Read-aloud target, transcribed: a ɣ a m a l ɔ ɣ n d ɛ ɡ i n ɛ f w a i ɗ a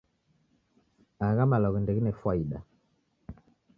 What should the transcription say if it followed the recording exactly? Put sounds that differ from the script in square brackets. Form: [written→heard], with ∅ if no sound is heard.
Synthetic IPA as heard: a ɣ a m a l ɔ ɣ n d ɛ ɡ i n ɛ f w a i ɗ a